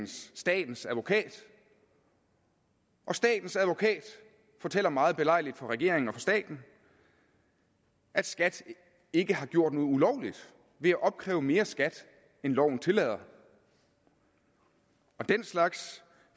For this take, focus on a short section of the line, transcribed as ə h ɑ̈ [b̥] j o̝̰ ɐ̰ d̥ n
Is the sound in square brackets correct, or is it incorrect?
incorrect